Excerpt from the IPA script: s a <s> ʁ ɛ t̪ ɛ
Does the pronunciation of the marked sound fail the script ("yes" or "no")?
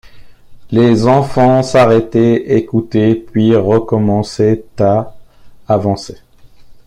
yes